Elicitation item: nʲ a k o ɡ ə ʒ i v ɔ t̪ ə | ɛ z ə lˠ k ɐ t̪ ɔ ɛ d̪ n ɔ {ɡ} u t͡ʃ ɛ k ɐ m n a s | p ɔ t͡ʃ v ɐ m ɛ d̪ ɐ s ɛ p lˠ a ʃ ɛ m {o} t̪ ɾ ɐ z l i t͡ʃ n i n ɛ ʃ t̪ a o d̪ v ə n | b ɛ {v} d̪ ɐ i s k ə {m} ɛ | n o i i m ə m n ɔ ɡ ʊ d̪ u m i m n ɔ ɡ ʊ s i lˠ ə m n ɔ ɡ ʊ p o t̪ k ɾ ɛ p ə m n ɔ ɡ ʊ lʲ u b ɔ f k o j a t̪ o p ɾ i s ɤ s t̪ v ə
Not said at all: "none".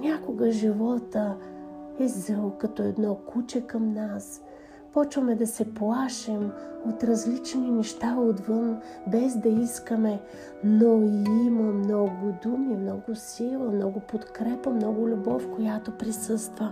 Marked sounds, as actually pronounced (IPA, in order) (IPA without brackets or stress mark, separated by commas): k, o, z, m